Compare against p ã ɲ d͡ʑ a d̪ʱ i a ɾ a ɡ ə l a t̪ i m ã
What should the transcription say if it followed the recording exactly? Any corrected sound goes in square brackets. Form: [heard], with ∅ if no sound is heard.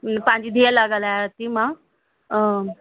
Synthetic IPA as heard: p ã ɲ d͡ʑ [i] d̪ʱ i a [l] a ɡ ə l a t̪ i m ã

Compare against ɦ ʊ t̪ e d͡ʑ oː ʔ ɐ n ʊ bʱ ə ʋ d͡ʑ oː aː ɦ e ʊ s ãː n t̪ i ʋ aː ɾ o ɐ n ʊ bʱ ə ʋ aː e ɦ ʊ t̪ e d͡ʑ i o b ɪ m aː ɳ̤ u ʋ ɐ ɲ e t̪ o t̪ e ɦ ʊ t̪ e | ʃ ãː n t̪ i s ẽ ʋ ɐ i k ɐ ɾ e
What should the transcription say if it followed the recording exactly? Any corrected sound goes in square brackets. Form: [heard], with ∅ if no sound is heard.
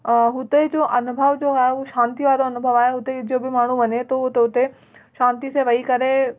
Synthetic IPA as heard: ɦ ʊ t̪ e d͡ʑ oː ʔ ɐ n ʊ bʱ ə ʋ d͡ʑ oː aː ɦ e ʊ [ʃ] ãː n t̪ i ʋ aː ɾ o ɐ n ʊ bʱ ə ʋ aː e ɦ ʊ t̪ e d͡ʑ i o b ɪ m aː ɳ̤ u ʋ ɐ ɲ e t̪ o t̪ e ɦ ʊ t̪ e | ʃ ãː n t̪ i s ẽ ʋ ɐ i k ɐ ɾ e

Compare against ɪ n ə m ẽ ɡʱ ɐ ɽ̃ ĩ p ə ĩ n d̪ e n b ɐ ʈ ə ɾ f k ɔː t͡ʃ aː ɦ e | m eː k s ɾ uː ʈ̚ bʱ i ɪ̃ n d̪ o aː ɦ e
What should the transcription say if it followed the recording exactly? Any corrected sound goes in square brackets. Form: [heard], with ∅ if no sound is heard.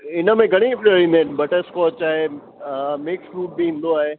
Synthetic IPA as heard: ɪ n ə m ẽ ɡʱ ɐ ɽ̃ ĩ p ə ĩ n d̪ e n b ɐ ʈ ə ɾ [s] k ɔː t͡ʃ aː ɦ e | m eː k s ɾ uː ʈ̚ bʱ i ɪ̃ n d̪ o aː ɦ e

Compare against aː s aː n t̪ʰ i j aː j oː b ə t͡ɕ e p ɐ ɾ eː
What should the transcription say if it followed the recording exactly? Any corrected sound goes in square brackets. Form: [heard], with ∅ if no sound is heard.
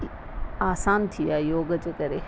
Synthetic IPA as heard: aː s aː n t̪ʰ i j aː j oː [ɡ] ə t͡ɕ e [k] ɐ ɾ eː

